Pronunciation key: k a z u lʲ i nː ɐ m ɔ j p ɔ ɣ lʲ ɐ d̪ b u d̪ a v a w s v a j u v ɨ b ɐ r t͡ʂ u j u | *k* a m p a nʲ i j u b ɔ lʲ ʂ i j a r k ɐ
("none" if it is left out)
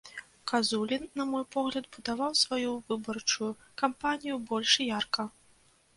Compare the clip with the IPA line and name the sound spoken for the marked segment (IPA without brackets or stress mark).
k